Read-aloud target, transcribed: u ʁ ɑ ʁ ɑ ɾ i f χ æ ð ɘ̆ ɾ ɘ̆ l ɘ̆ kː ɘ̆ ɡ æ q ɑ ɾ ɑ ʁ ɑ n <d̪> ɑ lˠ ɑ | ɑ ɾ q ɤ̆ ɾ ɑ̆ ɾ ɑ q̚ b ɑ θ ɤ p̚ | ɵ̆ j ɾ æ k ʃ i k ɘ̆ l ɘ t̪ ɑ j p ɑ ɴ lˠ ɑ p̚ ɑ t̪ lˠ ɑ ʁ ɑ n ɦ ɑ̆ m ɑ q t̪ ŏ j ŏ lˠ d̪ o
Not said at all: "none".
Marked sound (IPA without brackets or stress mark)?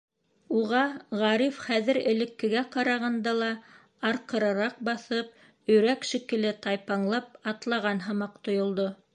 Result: d̪